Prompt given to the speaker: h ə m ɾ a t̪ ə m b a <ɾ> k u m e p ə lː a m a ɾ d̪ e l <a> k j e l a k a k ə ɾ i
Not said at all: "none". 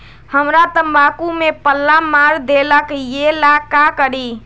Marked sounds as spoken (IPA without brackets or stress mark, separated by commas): none, ə